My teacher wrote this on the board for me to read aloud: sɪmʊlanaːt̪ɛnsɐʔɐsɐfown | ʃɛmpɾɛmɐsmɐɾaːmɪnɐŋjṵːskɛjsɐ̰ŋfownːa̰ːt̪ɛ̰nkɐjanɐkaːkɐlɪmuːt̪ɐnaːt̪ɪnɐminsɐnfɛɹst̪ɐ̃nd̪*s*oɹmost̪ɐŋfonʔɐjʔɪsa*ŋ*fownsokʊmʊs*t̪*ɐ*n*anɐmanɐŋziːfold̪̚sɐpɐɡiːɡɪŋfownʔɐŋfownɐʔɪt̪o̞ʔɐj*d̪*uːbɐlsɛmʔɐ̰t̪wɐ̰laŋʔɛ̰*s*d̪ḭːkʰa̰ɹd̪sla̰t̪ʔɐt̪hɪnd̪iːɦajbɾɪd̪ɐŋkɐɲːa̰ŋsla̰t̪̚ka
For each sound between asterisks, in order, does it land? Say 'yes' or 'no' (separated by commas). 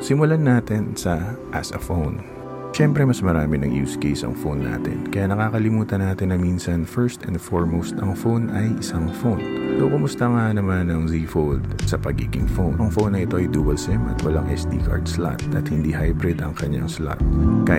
no, yes, yes, no, yes, yes